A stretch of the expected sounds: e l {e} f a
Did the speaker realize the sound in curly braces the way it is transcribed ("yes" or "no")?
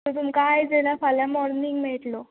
no